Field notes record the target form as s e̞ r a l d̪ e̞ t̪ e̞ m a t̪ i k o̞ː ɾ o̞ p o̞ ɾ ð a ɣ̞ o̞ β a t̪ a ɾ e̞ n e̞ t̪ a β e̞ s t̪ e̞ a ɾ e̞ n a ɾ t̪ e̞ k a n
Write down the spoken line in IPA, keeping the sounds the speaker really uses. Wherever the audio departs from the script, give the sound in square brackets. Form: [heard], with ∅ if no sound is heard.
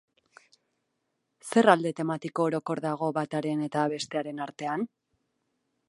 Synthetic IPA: s e̞ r a l d̪ e̞ t̪ e̞ m a t̪ i k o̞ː ɾ o̞ [k] o̞ ɾ ð a ɣ̞ o̞ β a t̪ a ɾ e̞ n e̞ t̪ a β e̞ s t̪ e̞ a ɾ e̞ n a ɾ t̪ e̞ [∅] a n